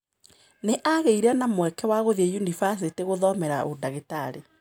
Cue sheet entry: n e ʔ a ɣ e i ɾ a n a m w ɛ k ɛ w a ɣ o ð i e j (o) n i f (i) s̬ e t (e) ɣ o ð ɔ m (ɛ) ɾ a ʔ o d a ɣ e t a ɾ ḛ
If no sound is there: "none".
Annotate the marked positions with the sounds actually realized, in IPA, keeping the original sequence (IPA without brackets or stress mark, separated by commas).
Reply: u, a, e, ɛ